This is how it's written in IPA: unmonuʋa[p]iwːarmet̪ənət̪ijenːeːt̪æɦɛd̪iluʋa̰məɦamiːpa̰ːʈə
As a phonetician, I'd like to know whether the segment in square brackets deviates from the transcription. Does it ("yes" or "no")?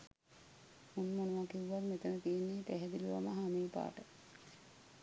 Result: yes